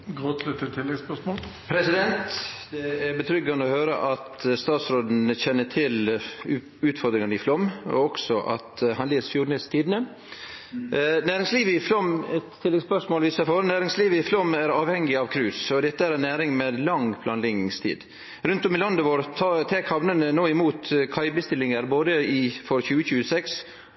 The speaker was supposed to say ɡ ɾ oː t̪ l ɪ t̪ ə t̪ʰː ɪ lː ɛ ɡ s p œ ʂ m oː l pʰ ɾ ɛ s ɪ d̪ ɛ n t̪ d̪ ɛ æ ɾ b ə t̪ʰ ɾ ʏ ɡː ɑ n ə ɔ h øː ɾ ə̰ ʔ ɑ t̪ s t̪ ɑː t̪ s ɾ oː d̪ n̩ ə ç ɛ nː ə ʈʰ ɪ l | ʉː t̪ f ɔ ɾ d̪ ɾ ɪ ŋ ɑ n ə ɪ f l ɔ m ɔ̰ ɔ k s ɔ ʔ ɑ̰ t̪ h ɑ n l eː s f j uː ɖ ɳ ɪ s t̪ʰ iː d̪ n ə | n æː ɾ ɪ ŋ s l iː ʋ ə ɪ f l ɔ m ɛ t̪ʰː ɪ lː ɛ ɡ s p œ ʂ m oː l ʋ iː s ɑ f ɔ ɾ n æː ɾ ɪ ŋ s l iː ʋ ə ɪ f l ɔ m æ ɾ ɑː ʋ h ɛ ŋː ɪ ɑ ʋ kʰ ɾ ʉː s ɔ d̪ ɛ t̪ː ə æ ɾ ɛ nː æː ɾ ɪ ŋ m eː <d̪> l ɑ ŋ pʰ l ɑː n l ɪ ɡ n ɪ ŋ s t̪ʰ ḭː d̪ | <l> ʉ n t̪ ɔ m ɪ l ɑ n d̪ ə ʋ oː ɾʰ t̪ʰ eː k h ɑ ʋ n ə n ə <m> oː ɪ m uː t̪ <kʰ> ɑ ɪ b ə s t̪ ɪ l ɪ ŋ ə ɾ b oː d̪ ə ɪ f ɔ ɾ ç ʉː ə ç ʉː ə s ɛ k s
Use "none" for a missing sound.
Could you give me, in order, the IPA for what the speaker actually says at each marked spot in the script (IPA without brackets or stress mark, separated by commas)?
d̪, ɾ, n, kʰ